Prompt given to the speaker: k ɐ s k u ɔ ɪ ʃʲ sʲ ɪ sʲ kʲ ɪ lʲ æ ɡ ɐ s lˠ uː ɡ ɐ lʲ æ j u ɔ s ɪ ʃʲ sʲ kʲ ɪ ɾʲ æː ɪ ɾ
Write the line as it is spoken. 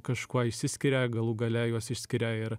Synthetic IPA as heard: k ɐ ʃ k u ɔ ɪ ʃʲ sʲ ɪ sʲ kʲ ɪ ɾʲ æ ɡ ɐ lˠ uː ɡ ɐ lʲ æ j u ɔ s ɪ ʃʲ sʲ kʲ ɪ ɾʲ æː ɪ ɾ